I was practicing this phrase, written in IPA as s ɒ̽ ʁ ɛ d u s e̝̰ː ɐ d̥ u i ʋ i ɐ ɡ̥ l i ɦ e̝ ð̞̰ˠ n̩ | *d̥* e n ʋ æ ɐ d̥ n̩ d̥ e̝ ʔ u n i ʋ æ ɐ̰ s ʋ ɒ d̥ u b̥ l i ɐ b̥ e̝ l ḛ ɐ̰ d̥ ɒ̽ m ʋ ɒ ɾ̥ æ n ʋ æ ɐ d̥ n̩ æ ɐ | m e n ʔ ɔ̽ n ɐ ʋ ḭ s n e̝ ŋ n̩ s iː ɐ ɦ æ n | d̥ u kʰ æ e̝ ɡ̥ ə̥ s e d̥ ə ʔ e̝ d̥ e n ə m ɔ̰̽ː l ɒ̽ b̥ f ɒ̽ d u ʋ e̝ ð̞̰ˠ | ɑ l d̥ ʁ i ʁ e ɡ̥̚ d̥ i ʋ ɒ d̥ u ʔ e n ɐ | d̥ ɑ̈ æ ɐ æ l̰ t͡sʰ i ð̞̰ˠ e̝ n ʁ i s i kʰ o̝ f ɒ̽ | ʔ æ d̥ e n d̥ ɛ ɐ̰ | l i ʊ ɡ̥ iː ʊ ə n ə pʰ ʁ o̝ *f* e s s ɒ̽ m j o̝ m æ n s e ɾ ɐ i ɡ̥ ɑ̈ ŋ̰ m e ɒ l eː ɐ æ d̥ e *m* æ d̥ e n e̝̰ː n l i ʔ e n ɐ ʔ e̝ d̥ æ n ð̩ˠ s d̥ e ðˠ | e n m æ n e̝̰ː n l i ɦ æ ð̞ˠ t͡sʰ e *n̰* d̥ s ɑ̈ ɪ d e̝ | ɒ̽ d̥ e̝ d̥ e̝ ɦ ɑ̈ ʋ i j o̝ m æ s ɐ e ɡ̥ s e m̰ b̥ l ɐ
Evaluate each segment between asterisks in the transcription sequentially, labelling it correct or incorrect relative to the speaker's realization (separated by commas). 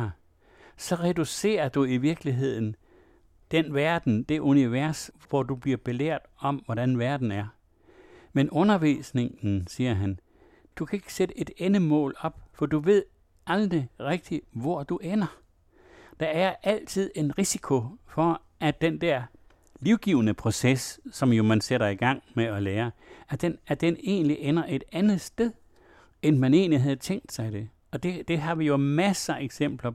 correct, incorrect, incorrect, incorrect